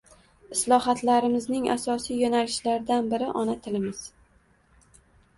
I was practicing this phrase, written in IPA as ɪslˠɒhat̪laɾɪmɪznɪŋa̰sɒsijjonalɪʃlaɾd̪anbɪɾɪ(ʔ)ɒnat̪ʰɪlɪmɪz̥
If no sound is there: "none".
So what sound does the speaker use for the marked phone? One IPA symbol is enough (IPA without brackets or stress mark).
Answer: ʔ